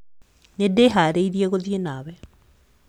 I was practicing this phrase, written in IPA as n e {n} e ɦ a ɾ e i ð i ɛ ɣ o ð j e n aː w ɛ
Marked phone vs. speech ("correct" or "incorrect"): incorrect